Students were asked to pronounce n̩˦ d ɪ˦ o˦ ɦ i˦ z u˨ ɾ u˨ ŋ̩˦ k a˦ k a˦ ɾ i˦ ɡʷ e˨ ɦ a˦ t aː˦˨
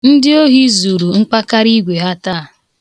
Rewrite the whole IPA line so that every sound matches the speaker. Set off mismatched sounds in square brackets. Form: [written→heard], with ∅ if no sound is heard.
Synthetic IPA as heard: n̩˦ d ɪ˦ o˦ ɦ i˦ z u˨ ɾ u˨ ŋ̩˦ [k→k͡p] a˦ k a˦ ɾ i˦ ɡʷ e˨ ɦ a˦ t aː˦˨